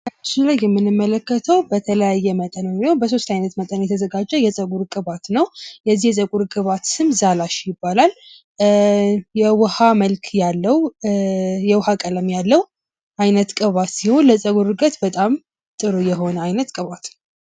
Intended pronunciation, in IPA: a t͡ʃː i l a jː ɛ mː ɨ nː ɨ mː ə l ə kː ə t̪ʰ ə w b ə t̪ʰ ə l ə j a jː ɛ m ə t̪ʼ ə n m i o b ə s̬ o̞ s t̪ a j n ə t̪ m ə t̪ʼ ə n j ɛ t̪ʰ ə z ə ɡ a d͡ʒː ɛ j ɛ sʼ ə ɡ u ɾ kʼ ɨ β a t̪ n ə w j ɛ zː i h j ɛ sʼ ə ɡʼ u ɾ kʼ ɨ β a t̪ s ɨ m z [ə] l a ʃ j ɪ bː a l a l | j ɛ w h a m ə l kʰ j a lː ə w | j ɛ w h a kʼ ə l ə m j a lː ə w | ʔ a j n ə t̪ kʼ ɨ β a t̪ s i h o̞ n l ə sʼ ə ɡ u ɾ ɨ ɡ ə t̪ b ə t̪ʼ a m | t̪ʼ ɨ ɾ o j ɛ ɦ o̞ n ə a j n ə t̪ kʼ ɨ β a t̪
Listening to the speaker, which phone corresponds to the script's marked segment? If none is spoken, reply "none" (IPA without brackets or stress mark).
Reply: a